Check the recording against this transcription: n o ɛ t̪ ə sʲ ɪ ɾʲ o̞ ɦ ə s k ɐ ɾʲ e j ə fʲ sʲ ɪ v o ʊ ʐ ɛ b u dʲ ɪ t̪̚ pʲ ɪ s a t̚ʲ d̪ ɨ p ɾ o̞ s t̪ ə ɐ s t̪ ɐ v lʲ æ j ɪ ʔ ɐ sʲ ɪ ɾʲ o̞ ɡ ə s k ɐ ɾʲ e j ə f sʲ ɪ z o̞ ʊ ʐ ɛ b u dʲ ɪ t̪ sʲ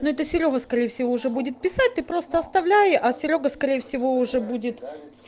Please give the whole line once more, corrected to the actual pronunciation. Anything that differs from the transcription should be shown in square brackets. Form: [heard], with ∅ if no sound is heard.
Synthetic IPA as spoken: n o ɛ t̪ ə sʲ ɪ ɾʲ o̞ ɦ ə s k ɐ ɾʲ e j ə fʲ sʲ ɪ v o ʊ ʐ ɛ b u dʲ ɪ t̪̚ pʲ ɪ s a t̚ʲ [t̪] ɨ p ɾ o̞ s t̪ ə ɐ s t̪ ɐ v lʲ æ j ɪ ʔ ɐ sʲ ɪ ɾʲ o̞ ɡ ə s k ɐ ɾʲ e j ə f sʲ ɪ [v] o̞ ʊ ʐ ɛ b u dʲ ɪ t̪ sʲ